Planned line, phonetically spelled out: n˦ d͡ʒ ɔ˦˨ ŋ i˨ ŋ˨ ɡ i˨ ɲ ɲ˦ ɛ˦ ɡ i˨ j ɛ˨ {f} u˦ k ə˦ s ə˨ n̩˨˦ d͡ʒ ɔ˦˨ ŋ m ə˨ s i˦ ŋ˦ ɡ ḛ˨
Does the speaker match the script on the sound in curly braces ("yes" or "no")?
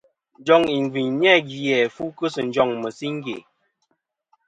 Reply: yes